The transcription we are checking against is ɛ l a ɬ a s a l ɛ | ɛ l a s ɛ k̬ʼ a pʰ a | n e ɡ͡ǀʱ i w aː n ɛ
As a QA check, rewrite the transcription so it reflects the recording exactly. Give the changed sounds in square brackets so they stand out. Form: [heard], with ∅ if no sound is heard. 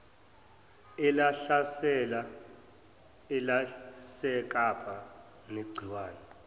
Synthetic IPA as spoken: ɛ l a ɬ a s [ɛ] l [a] | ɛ l a s ɛ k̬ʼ a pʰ a | n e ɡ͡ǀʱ i w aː n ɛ